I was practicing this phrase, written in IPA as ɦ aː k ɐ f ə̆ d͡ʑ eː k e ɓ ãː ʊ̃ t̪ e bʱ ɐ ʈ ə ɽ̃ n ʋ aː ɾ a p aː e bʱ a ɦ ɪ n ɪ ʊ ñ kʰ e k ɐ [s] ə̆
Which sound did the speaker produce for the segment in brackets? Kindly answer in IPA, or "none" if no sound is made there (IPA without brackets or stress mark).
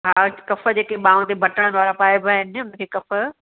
f